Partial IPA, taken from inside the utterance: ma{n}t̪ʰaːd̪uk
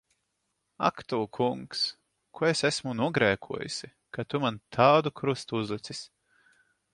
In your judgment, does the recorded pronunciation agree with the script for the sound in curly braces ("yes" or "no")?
yes